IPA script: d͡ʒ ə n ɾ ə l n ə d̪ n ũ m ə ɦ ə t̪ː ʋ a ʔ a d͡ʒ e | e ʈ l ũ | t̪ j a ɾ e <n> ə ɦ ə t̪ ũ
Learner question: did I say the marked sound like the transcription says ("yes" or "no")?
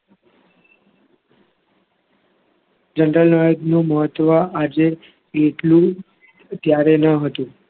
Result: yes